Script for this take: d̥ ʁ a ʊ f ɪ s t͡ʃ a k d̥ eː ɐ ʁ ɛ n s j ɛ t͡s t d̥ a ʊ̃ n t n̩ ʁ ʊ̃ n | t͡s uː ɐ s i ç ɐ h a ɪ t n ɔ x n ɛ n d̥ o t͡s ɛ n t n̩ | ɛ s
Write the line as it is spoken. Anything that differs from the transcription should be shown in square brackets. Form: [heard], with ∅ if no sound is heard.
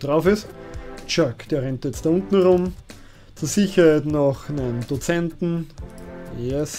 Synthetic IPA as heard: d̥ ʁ a ʊ f ɪ s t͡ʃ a k d̥ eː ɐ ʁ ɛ n [t] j ɛ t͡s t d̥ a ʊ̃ n t n̩ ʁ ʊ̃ [m] | t͡s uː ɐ s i ç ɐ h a ɪ t n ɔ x n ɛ n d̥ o t͡s ɛ n t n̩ | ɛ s